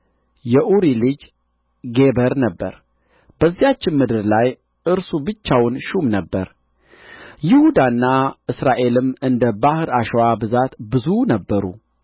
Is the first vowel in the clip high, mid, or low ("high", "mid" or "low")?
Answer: mid